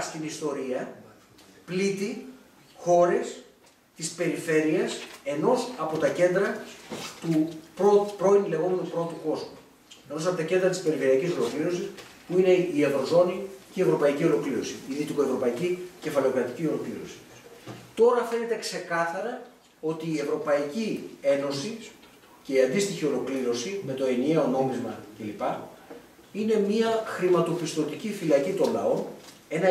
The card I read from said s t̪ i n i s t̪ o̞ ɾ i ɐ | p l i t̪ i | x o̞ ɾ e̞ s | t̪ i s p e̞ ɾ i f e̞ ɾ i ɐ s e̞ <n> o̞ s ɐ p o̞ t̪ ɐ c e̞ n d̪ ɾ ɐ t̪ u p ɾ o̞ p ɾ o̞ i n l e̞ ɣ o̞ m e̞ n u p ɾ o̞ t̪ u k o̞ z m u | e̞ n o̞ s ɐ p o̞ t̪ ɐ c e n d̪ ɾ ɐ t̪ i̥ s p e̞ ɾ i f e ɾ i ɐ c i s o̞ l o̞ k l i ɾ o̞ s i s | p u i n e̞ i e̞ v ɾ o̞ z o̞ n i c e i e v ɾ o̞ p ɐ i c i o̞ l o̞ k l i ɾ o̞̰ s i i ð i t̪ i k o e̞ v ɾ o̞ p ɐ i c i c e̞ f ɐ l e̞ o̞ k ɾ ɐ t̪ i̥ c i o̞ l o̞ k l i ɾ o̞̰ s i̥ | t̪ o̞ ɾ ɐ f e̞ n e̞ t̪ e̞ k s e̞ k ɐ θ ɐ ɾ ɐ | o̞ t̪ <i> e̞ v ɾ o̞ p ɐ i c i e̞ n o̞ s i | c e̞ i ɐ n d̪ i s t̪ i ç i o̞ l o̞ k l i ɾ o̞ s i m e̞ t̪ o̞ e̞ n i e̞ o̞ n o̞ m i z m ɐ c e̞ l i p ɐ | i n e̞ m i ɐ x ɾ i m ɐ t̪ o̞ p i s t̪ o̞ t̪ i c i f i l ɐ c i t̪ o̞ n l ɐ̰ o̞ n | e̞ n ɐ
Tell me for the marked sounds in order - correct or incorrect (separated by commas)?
correct, incorrect